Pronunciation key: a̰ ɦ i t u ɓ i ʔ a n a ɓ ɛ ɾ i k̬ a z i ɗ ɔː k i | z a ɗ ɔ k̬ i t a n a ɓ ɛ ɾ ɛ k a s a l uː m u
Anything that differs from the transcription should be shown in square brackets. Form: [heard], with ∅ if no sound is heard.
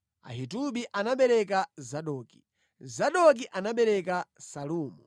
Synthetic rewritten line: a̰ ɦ i t u ɓ i ʔ a n a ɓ ɛ ɾ [ɛ] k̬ a z [a] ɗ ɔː k i | z a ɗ ɔ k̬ i [ʔ] a n a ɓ ɛ ɾ ɛ k a s a l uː m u